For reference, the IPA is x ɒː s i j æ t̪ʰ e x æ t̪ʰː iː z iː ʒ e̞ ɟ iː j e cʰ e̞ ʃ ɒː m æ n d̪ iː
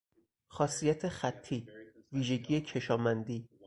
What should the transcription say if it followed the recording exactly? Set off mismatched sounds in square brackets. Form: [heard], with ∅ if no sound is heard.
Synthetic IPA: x ɒː s i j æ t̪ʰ e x æ t̪ʰː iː [v] iː ʒ e̞ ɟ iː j e cʰ e̞ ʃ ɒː m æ n d̪ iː